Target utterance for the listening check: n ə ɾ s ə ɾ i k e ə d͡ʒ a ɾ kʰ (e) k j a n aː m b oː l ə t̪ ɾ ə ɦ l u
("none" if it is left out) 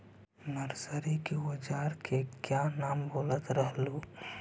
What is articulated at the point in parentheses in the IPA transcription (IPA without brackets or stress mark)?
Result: e